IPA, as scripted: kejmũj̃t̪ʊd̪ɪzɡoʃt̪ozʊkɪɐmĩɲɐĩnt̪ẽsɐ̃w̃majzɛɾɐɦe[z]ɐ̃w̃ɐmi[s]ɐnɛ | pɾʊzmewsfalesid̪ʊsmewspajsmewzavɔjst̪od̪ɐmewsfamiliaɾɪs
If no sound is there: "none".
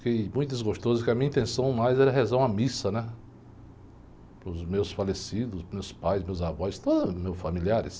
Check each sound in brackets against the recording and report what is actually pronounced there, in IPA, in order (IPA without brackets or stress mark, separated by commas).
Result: z, s